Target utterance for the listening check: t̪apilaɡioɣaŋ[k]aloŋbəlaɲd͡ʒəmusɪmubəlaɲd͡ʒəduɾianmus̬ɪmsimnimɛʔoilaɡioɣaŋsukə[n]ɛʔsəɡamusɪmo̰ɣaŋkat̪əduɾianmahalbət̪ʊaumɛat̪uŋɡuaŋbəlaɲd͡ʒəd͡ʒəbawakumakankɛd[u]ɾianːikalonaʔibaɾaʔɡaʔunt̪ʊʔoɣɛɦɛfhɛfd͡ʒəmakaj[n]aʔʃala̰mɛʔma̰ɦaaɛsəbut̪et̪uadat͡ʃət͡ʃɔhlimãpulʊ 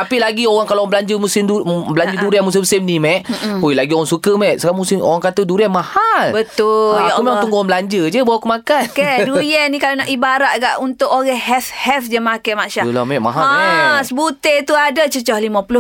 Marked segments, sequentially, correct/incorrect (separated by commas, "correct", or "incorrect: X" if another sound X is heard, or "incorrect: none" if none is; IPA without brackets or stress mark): correct, incorrect: m, correct, incorrect: m